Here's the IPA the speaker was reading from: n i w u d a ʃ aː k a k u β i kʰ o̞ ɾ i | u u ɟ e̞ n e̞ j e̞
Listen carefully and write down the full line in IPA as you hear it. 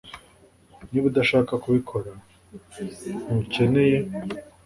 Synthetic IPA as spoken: n i β u d a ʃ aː k a k u β i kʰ o̞ ɾ a | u u c e̞ n e̞ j e̞